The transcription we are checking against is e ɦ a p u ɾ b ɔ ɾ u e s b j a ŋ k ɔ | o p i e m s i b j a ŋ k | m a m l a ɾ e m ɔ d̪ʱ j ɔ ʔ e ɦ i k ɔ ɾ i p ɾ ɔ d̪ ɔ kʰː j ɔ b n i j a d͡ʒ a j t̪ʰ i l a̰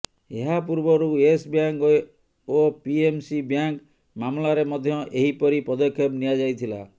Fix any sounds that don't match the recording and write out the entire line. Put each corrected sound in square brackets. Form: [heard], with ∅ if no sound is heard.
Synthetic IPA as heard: e ɦ a p u ɾ b ɔ ɾ u e s b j a ŋ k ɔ | o p i e m s i b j a ŋ k | m a m l a ɾ e m ɔ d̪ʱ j ɔ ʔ e ɦ i [p] ɔ ɾ i p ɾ ɔ d̪ ɔ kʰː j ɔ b n i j a d͡ʒ a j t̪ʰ i l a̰